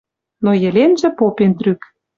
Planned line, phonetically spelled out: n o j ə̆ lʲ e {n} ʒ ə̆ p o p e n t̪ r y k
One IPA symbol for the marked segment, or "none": n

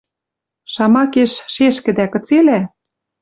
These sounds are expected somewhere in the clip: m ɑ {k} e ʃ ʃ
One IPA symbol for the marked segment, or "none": k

